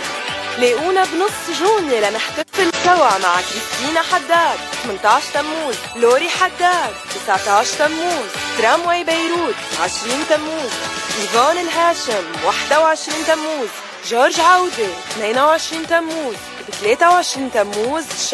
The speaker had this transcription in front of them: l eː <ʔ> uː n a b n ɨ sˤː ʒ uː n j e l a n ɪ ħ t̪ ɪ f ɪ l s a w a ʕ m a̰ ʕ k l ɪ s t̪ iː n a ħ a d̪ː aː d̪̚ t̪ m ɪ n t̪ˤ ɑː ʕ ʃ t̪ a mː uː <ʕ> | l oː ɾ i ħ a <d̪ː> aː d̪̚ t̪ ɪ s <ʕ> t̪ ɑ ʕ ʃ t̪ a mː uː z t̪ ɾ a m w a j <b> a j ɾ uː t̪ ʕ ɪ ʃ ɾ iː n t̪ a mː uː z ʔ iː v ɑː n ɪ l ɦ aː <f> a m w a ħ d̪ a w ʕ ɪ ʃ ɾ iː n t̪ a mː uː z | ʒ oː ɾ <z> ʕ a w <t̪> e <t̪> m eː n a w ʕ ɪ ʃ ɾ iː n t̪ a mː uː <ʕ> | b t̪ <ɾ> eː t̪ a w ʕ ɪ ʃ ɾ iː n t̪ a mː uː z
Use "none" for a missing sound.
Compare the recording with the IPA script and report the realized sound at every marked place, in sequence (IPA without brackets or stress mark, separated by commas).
ʔ, z, d̪ː, ʕ, b, ʃ, ʒ, d̪, t̪, z, l